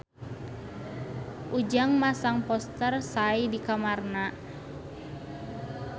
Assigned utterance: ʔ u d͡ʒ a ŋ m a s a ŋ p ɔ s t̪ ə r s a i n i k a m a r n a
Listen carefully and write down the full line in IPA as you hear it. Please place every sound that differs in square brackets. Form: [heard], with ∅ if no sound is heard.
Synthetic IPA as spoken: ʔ u d͡ʒ a ŋ m a s a ŋ p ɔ s t̪ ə r s a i [d] i k a m a r n a